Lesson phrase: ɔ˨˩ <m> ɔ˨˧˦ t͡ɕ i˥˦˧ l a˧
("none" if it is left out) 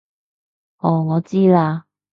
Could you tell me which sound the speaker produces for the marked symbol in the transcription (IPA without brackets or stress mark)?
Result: ŋ